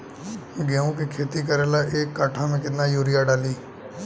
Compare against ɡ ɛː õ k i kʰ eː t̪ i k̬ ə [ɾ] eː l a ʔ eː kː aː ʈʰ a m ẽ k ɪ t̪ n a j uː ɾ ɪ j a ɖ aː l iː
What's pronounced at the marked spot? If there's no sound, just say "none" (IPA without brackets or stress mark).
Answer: ɾ